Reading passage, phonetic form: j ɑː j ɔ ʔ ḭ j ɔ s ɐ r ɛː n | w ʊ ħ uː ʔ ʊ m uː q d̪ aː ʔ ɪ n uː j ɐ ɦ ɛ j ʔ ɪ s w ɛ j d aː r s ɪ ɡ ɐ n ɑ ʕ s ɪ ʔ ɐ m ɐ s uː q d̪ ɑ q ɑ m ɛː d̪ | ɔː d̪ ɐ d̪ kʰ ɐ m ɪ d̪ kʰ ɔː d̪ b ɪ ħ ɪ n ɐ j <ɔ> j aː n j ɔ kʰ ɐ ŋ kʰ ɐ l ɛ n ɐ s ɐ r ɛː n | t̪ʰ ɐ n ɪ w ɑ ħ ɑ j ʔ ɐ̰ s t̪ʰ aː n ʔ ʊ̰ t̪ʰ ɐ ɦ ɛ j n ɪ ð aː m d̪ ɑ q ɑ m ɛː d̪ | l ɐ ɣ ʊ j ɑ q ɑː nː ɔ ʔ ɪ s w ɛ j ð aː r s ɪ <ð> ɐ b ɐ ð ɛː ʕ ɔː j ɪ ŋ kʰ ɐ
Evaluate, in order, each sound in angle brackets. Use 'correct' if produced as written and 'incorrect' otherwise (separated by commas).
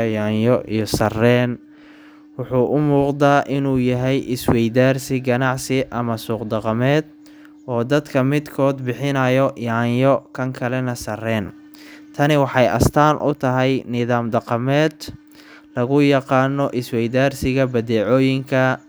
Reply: correct, incorrect